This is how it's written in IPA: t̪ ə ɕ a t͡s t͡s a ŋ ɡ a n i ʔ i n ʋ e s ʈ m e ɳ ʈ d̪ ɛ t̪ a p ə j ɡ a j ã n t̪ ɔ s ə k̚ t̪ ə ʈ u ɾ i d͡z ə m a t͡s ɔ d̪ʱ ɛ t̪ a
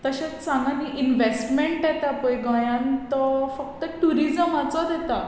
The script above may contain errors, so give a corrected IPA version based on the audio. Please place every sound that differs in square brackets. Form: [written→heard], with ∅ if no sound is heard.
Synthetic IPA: t̪ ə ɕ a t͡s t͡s a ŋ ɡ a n i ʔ i n ʋ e s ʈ m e ɳ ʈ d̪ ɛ t̪ a p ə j ɡ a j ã n t̪ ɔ [s→f] ə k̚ t̪ ə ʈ u ɾ i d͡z ə m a t͡s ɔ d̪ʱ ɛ t̪ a

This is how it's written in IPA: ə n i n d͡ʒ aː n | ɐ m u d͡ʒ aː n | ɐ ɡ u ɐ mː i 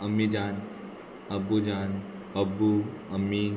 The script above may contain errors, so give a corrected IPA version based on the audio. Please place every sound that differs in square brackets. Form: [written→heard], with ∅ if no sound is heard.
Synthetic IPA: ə [n→m] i [n→∅] d͡ʒ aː n | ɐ [m→b] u d͡ʒ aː n | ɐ [ɡ→b] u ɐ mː i

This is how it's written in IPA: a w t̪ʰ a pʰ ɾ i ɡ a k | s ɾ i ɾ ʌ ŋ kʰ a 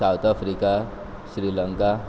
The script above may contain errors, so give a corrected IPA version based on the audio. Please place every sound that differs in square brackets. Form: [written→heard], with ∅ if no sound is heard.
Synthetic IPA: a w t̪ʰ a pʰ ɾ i [ɡ→k] a [k→∅] | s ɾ i [ɾ→l] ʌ ŋ [kʰ→k] a

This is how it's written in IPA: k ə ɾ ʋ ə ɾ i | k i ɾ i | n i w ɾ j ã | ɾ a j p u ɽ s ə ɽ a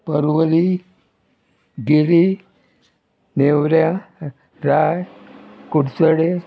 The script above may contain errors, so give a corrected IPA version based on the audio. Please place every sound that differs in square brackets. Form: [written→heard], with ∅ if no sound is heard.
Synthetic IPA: [k→p] ə ɾ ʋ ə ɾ i | [k→ɡ] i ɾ i | n [i→e] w ɾ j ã | ɾ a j [p→k] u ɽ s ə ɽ [a→e]

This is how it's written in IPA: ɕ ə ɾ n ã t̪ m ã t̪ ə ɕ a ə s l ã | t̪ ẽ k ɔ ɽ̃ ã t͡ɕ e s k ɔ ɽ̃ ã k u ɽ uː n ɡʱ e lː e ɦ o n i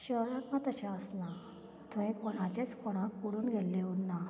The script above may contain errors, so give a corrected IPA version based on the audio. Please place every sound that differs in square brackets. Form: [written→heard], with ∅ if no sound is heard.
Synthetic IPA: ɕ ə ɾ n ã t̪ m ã t̪ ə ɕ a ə s l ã | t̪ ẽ k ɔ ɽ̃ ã t͡ɕ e [s→t͡s] k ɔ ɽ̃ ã k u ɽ uː n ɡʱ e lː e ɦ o n [i→a]

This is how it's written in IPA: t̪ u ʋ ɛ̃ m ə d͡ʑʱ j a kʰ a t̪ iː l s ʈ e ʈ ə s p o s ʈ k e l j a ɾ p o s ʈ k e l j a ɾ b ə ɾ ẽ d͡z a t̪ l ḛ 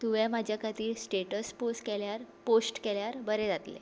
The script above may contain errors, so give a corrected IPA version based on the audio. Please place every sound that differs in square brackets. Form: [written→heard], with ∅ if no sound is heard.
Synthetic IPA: t̪ u ʋ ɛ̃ m [ə→a] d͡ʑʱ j a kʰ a t̪ iː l s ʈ e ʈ ə s p o s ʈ k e l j a ɾ p o s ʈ k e l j a ɾ b ə ɾ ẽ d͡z a t̪ l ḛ

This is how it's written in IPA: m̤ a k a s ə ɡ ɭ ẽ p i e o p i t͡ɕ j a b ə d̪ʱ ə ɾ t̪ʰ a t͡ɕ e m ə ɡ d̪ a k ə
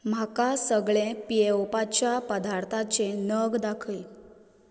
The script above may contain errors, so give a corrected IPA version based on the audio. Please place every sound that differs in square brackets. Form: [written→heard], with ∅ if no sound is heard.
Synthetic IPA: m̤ a k a s ə ɡ ɭ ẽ p i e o p [i→a] t͡ɕ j a [b→p] ə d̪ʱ [ə→a] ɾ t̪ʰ a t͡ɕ e [m→n] ə ɡ d̪ a [k→kʰ] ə

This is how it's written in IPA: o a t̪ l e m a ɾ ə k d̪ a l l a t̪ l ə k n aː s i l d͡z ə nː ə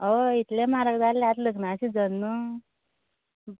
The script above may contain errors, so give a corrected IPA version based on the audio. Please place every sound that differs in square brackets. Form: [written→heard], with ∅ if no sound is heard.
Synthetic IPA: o [a→i] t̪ l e m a ɾ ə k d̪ a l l a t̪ l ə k n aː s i [l→∅] d͡z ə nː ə

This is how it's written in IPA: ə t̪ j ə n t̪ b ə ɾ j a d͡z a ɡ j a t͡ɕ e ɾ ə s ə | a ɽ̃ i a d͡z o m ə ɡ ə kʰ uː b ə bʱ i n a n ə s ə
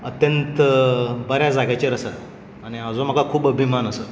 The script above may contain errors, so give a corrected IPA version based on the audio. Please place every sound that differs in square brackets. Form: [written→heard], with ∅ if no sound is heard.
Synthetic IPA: ə t̪ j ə n t̪ b ə ɾ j a d͡z a ɡ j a t͡ɕ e ɾ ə s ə | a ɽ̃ i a d͡z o m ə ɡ [ə→a] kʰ uː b ə bʱ i [n→m] a n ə s ə

